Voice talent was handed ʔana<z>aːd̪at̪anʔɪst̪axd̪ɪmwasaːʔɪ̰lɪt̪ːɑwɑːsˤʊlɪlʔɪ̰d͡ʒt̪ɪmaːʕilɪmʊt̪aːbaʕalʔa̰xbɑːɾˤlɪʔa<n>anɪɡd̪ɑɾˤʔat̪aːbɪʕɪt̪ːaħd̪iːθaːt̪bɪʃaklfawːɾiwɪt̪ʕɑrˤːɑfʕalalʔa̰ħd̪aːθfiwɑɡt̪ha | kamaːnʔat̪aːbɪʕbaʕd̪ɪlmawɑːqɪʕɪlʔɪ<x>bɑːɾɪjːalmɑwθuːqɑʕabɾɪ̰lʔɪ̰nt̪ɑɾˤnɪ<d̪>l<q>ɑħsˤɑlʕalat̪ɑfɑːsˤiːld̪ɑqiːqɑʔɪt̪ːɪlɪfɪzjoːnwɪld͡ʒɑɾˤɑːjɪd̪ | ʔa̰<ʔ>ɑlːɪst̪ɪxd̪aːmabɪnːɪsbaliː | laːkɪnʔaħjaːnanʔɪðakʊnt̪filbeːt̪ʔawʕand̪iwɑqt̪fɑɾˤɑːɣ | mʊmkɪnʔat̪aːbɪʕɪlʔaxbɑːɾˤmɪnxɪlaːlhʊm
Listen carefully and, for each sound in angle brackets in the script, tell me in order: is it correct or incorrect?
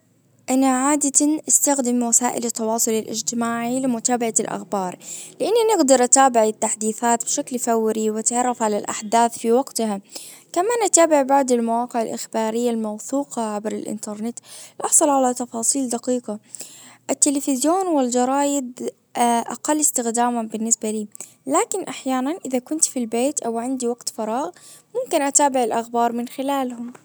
incorrect, incorrect, correct, incorrect, incorrect, incorrect

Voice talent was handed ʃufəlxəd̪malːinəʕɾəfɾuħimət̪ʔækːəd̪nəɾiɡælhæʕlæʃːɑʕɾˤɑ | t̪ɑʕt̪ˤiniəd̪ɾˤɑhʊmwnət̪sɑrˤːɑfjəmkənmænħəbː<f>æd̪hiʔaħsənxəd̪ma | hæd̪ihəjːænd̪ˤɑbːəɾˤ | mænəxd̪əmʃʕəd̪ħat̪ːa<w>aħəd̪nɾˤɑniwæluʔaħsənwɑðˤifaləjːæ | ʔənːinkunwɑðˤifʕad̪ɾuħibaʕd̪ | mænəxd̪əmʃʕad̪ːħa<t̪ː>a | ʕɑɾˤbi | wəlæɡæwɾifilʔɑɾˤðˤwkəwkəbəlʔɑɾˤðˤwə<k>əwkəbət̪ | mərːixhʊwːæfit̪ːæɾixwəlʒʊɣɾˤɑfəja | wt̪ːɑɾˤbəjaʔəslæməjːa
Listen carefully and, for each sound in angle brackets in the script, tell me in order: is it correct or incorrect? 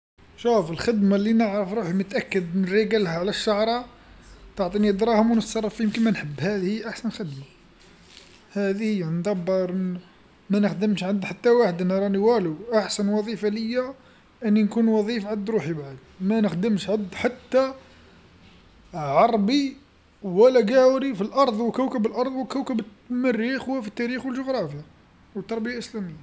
incorrect, correct, correct, correct

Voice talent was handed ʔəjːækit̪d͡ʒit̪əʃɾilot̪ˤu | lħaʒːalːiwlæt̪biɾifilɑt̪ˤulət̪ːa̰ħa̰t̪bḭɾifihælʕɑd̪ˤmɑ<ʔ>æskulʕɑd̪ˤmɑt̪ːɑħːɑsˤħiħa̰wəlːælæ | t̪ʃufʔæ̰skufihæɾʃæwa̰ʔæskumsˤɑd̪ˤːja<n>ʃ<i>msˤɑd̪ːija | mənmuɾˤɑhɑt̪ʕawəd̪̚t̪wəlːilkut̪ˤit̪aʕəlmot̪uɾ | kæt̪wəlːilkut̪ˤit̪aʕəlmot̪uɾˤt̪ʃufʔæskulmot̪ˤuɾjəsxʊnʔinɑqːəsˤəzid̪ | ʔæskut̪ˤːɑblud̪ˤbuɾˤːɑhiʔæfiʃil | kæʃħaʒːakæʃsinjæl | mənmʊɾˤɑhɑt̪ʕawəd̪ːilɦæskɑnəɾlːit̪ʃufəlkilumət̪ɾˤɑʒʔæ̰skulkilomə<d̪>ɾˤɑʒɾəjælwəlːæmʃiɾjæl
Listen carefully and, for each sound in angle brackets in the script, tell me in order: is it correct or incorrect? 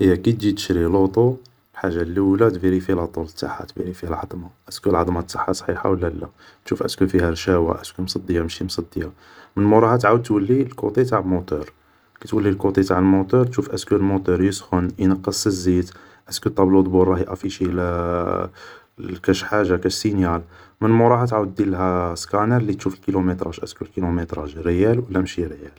correct, incorrect, correct, incorrect

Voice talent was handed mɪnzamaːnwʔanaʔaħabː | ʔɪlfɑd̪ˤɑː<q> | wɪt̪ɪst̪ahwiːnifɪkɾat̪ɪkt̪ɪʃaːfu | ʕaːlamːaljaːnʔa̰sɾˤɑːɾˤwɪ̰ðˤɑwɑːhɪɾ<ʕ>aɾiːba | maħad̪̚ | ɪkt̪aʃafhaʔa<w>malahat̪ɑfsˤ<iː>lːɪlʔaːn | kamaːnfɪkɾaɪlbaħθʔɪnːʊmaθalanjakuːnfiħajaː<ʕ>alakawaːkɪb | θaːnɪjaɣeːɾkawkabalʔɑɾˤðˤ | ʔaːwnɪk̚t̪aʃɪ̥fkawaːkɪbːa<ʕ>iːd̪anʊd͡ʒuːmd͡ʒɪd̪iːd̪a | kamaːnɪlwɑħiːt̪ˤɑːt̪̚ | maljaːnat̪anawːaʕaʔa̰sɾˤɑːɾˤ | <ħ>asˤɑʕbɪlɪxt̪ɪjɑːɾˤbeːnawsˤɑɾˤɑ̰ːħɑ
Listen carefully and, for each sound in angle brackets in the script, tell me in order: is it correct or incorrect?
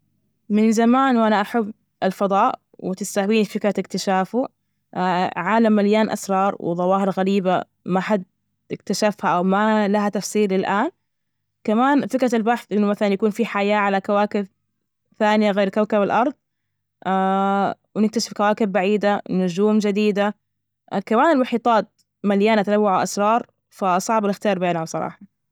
incorrect, incorrect, correct, correct, correct, correct, incorrect

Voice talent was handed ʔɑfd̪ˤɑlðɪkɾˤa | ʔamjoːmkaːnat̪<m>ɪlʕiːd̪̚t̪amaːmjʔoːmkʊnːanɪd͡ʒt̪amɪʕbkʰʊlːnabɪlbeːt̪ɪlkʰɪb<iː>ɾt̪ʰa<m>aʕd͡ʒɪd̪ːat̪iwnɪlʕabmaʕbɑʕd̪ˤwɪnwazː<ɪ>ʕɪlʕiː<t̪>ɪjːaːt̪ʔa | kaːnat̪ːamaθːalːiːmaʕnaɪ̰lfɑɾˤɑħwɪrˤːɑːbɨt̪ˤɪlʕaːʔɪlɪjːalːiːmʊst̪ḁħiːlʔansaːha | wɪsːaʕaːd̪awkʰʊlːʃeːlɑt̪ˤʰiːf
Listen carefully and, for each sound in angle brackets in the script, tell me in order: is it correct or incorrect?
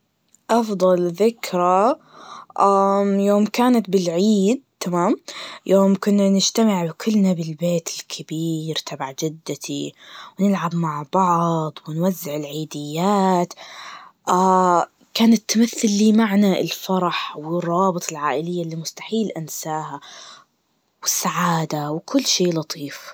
incorrect, correct, incorrect, correct, incorrect

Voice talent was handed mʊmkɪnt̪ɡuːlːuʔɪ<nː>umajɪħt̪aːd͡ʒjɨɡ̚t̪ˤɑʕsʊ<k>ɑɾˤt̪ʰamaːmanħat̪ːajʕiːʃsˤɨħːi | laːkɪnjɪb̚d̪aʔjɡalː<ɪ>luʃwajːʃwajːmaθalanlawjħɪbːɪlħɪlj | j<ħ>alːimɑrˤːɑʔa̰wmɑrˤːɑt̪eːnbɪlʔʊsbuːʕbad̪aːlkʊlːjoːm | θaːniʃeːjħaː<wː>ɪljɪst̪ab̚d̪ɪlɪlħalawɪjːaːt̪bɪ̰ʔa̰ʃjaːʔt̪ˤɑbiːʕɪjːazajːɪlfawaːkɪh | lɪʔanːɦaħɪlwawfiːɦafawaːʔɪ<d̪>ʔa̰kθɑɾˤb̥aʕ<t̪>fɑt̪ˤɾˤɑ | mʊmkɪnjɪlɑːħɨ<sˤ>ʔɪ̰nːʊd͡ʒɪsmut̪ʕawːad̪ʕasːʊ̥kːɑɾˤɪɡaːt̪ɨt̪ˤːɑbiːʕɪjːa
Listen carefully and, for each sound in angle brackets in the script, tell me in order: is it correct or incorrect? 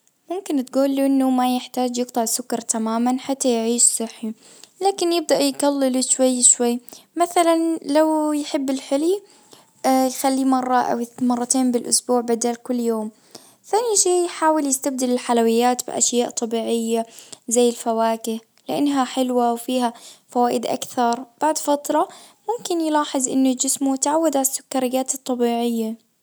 correct, correct, correct, incorrect, incorrect, correct, incorrect, incorrect

